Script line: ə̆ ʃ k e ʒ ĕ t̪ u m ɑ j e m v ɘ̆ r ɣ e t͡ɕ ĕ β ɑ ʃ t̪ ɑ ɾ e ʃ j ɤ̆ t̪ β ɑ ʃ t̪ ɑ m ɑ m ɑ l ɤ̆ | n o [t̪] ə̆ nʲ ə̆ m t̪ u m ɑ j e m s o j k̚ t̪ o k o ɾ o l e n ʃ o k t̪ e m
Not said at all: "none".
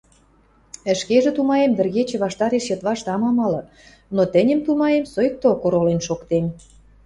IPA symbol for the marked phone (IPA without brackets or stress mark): t̪